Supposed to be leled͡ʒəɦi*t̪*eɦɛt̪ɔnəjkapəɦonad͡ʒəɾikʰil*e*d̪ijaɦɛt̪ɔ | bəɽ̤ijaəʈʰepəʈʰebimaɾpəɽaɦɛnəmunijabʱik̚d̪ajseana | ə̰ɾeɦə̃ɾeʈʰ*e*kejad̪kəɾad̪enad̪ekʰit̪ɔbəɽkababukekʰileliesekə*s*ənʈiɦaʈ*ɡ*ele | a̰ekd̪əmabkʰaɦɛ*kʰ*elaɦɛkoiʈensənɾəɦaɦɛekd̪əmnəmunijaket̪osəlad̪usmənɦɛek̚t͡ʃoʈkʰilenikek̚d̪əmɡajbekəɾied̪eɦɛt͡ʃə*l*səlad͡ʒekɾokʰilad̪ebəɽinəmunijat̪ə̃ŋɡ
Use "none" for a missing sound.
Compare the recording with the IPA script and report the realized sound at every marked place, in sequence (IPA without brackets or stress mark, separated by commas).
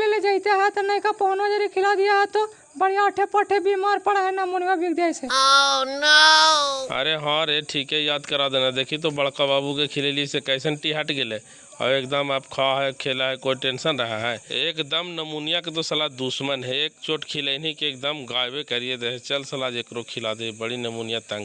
t̪, a, i, s, ɡ, kʰ, l